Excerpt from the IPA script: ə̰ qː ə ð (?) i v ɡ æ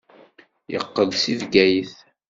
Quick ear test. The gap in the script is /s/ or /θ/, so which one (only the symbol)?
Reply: s